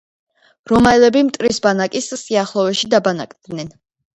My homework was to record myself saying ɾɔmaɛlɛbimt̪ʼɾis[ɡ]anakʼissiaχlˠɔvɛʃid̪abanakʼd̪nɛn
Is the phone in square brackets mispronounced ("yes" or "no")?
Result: yes